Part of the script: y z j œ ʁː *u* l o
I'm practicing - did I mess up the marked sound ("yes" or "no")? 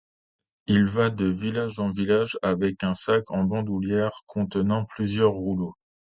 no